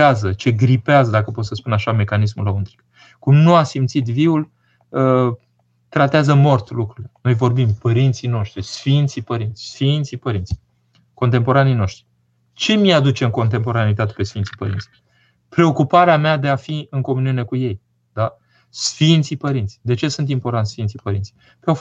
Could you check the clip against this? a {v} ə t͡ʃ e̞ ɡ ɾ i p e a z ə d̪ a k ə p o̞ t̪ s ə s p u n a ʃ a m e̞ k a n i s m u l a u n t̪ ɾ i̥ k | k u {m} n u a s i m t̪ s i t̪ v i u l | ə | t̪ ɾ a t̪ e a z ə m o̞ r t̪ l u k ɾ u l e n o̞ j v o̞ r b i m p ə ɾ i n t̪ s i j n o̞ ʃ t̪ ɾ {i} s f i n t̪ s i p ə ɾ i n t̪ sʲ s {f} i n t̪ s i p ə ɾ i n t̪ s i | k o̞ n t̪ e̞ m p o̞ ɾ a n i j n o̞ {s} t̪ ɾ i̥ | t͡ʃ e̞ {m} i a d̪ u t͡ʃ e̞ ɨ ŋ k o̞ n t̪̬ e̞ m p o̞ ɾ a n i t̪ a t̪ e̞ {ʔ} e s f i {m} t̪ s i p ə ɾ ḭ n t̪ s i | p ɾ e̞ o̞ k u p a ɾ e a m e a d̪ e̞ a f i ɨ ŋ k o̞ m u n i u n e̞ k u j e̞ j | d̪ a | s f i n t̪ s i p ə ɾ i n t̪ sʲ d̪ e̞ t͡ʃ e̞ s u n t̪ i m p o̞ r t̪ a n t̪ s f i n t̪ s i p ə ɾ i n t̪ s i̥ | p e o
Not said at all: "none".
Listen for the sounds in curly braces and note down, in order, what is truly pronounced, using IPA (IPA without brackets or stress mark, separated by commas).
z, m, i, f, ʃ, m, p, n